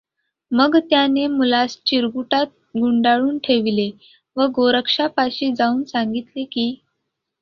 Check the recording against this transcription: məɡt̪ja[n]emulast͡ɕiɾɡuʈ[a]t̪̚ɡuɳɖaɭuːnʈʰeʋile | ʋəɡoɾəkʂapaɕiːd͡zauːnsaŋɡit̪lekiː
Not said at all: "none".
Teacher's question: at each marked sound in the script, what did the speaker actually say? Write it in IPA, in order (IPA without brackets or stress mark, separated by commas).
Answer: n, a